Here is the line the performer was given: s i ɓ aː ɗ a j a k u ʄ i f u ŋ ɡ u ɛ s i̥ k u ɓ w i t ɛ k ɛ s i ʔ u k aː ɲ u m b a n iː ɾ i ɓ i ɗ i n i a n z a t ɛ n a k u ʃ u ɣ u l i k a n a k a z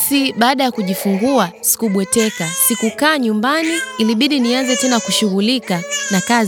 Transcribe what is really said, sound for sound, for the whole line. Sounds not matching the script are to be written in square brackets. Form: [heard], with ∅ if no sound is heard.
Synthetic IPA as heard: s i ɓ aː ɗ a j a k u ʄ i f u ŋ ɡ u [a] s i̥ k u ɓ w [ɛ] t ɛ k [a] s i [k] u k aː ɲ u m b a n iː [l] i ɓ i ɗ i n i a n z [ɛ] t ɛ n a k u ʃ u ɣ u l i k a n a k a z